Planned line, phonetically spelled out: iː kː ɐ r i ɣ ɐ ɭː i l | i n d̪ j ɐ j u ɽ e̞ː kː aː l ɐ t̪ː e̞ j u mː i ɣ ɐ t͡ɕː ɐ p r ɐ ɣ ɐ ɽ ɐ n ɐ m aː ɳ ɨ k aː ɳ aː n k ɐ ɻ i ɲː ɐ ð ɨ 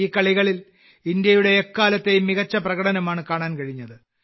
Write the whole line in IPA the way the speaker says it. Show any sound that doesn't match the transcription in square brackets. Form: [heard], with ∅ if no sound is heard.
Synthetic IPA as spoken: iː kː ɐ [ɭ] i ɣ ɐ [ɭ] i l | i n d̪ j ɐ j u ɽ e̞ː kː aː l ɐ t̪ː e̞ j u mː i ɣ ɐ t͡ɕː ɐ p r ɐ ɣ ɐ ɽ ɐ n ɐ m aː ɳ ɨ k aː ɳ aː n k ɐ ɻ i ɲː ɐ ð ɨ